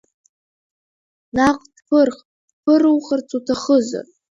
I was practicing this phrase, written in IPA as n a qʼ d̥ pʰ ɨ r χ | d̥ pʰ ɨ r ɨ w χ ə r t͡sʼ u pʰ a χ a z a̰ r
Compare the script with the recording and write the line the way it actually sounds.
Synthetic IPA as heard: n a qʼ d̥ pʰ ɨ r χ | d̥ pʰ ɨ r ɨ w χ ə r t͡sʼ u tʰ a χ ə z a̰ r